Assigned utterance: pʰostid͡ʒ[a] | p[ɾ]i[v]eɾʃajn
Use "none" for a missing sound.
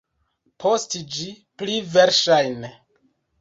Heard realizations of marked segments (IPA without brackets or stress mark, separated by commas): i, l, v